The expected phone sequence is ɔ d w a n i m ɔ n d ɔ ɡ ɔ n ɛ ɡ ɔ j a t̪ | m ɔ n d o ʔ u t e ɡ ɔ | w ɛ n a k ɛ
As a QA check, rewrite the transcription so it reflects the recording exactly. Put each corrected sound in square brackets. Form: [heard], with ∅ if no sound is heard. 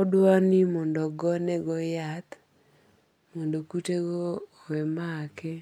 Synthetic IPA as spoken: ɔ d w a n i m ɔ n d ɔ ɡ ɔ n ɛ ɡ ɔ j a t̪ | m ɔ n d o [k] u t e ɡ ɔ | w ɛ [m] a k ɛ

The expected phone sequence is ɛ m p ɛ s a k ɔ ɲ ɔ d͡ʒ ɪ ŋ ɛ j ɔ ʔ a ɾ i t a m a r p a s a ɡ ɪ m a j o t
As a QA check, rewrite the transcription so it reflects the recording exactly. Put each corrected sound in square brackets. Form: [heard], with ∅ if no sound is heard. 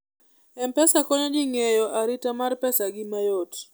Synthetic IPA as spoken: ɛ m p ɛ s a k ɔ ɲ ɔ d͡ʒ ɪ ŋ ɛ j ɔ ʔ a ɾ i t a m a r p [ɛ] s a ɡ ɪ m a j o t

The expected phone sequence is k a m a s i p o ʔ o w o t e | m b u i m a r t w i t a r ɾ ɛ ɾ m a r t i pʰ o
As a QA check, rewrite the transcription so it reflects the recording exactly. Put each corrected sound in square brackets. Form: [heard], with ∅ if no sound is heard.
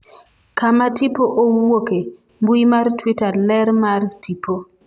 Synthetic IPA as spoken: k a m a [t] i p o ʔ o w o [k] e | m b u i m a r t w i t a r [l] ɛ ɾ m a r t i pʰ o

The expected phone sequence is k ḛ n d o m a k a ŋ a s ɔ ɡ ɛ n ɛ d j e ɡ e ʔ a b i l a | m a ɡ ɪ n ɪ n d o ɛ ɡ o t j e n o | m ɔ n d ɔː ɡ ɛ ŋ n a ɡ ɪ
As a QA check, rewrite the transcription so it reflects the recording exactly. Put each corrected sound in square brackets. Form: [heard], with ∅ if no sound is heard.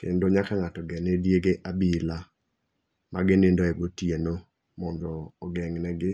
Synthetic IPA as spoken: k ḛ n d o [ɲ] a k a ŋ a [t] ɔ ɡ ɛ n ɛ d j e ɡ e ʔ a b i l a | m a ɡ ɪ n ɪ n d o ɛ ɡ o t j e n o | m ɔ n d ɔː ɡ ɛ ŋ n [ɛ] ɡ ɪ

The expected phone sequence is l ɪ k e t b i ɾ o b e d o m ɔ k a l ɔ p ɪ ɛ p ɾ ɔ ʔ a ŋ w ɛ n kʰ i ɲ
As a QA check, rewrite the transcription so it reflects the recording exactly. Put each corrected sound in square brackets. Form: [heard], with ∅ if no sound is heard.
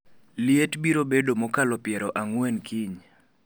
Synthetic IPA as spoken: l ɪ [∅] e t b i ɾ o b e d o m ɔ k a l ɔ p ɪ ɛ [∅] ɾ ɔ ʔ a ŋ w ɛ n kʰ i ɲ

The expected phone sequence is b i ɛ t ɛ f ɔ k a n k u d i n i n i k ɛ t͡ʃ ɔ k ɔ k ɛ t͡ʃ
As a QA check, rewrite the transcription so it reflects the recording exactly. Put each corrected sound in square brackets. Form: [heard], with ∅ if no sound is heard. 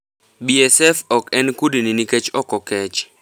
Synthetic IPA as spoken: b i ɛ [s] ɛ f ɔ k [ɛ] n k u d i n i n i k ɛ t͡ʃ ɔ k ɔ k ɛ t͡ʃ

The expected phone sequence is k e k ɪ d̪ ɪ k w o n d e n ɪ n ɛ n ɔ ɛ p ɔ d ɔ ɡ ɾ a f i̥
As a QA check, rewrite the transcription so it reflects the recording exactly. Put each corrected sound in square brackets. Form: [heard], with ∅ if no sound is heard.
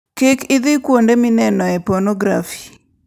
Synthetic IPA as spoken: k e k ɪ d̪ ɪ k w o n d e [m] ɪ n ɛ n ɔ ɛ p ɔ [n] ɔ ɡ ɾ a f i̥

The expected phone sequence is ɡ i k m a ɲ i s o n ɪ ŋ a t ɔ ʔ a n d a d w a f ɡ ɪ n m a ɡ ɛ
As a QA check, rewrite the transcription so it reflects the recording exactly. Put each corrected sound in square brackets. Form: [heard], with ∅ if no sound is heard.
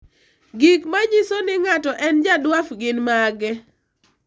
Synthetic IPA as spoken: ɡ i k m a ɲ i s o n ɪ ŋ a t ɔ ʔ [ɛ] n [d͡ʒ] a d w a f ɡ ɪ n m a ɡ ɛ

